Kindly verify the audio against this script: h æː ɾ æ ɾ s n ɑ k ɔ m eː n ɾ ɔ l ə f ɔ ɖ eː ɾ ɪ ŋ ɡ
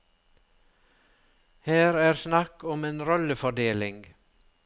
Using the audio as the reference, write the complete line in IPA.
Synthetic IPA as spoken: h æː ɾ æː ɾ s n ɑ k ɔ m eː n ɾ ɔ l ə f ɔ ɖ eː l ɪ ŋ ɡ